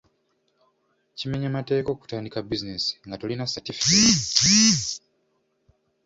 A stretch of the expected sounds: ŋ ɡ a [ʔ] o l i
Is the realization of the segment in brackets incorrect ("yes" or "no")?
yes